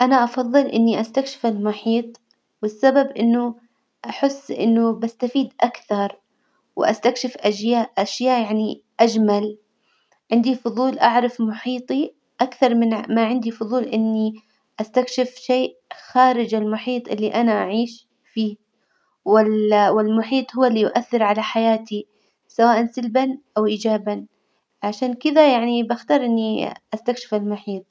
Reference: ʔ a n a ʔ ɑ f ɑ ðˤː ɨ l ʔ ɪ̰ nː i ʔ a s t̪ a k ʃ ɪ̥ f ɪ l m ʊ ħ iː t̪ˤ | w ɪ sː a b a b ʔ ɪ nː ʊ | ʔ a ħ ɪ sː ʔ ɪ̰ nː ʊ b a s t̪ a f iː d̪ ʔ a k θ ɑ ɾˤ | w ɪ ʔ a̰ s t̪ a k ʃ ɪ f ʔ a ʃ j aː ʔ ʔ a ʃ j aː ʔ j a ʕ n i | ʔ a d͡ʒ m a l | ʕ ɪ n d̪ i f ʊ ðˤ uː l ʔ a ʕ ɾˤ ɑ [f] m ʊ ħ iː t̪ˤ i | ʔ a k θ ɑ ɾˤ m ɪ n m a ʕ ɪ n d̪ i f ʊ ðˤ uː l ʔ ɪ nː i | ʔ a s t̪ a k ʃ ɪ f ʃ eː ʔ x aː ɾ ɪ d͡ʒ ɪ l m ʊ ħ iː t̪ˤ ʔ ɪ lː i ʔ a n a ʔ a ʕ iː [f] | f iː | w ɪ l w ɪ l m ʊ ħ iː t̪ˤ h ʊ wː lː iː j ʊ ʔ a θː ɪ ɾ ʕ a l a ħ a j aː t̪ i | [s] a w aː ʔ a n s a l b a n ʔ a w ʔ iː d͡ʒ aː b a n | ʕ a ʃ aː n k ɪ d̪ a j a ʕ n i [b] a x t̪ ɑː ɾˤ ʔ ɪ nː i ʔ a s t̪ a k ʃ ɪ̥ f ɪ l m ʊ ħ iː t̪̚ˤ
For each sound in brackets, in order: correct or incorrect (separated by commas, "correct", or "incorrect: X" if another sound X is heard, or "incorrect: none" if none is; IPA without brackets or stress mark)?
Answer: correct, incorrect: ʃ, correct, correct